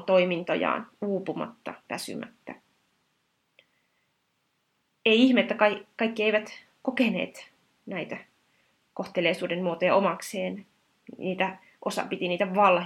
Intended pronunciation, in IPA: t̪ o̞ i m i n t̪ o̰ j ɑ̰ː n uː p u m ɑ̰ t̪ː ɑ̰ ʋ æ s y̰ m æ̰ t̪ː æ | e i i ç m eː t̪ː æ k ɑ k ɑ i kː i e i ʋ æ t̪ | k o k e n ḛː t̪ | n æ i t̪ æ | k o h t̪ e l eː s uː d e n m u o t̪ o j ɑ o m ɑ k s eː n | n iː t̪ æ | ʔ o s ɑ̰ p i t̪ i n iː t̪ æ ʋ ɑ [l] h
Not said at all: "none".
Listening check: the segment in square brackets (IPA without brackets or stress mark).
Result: l